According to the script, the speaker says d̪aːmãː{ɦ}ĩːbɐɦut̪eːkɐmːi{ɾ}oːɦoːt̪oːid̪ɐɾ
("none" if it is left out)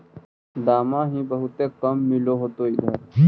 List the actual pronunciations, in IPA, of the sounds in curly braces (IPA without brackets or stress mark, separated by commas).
ɦ, l